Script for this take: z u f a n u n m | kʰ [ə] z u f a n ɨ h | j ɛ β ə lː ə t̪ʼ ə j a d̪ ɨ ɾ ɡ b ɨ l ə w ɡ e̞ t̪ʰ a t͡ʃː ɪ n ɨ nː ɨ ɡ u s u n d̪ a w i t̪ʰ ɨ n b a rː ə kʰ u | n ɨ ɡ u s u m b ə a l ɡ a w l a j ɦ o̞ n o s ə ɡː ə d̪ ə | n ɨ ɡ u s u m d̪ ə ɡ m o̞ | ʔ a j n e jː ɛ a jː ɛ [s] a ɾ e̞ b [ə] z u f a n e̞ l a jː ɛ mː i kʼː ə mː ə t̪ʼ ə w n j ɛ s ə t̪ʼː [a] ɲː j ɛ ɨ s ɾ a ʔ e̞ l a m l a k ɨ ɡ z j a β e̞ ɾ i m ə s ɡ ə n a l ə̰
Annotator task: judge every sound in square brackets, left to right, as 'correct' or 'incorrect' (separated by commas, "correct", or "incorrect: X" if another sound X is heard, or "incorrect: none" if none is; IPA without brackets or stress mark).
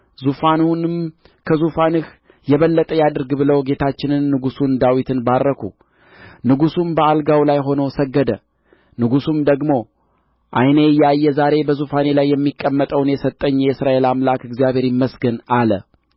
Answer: correct, incorrect: z, correct, incorrect: ə